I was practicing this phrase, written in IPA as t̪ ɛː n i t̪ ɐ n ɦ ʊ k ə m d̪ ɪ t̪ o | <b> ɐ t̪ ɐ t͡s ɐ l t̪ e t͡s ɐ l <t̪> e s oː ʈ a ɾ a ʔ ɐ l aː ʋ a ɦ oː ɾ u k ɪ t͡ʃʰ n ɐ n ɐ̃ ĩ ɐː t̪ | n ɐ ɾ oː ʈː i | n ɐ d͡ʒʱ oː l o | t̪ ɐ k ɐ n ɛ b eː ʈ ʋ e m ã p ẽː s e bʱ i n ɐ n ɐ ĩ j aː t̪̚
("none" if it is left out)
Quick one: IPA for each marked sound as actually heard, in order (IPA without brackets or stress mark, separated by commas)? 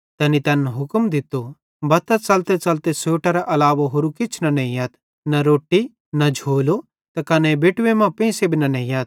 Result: b, t̪